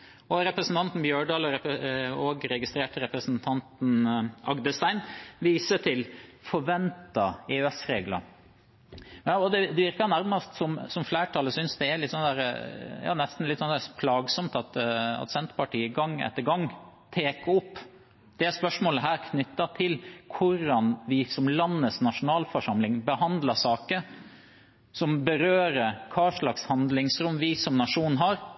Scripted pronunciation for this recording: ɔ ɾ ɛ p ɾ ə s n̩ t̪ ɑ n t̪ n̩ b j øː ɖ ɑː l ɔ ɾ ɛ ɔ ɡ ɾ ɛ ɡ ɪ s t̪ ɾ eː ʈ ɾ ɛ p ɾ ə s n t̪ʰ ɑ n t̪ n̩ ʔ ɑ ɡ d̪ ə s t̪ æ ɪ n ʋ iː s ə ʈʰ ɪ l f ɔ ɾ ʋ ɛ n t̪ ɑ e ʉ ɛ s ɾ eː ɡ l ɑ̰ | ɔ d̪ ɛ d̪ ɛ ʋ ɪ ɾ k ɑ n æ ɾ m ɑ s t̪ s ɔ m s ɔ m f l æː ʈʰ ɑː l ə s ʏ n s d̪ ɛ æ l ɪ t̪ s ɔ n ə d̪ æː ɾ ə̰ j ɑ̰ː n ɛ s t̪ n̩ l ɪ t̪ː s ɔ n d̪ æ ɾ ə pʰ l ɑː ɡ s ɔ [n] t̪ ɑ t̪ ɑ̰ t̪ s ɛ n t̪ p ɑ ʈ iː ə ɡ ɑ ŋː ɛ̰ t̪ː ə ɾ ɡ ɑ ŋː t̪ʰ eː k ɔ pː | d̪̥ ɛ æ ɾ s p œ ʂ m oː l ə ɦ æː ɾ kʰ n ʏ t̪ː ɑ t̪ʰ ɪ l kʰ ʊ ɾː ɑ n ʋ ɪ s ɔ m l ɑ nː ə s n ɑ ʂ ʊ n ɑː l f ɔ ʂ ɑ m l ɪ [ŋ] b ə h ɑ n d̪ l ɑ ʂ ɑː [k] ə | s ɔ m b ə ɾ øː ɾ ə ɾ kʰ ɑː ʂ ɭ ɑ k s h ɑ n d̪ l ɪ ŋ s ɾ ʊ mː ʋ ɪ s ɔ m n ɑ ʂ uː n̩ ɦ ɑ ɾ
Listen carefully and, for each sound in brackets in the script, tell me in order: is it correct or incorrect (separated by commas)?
incorrect, correct, correct